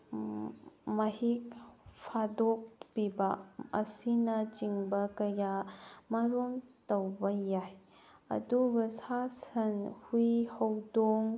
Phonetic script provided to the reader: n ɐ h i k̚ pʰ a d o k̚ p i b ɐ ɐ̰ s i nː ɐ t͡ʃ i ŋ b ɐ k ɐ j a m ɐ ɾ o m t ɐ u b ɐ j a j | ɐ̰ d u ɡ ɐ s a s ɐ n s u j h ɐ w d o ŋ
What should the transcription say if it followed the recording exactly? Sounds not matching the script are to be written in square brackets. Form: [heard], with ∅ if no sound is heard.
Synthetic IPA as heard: [m] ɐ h i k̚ pʰ a d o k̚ p i b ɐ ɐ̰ s i [n] ɐ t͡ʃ i ŋ b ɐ k ɐ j a m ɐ ɾ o m t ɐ [w] b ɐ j a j | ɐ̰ d u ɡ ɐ s a s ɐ n [h] u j h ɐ w d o ŋ